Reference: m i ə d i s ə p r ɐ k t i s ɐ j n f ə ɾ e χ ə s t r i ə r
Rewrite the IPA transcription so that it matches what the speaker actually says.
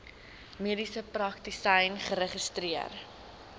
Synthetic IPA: m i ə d i s ə p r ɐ k t i s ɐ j n χ ə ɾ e χ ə s t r i ə r